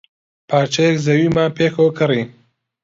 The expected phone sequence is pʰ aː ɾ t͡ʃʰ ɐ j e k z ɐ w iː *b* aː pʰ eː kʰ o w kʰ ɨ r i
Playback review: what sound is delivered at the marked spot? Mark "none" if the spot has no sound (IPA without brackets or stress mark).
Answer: m